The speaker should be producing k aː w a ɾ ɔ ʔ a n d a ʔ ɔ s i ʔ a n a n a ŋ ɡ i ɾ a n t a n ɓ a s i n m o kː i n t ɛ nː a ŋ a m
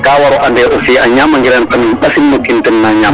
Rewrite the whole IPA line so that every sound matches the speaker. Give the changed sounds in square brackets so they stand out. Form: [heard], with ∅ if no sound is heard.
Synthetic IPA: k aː w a ɾ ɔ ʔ a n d [ɛ] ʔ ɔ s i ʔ a [ɲ] a [m] a ŋ ɡ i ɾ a n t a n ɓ a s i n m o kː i n t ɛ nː a [ɲ] a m